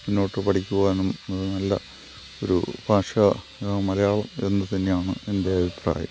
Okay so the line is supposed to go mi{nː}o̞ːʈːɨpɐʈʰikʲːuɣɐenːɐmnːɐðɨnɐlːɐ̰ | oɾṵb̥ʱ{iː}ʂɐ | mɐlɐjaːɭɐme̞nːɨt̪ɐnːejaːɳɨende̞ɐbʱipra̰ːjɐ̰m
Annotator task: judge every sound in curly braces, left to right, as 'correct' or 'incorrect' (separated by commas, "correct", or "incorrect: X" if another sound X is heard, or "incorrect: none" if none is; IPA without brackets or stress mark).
correct, incorrect: aː